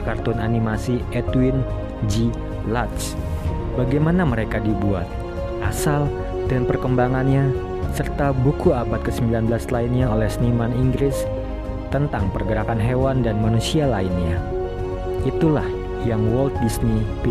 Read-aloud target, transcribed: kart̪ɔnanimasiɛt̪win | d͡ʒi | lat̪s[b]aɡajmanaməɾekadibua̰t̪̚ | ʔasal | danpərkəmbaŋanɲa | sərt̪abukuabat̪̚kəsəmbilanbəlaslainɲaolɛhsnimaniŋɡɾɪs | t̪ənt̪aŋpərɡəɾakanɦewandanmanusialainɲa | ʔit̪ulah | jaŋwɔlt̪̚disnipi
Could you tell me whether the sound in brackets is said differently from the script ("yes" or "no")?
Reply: no